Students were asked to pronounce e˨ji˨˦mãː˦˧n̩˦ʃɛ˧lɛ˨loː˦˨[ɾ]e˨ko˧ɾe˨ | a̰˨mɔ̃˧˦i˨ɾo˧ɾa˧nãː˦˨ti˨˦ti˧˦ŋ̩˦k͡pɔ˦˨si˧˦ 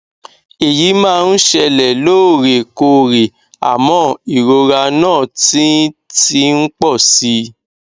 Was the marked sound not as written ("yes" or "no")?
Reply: no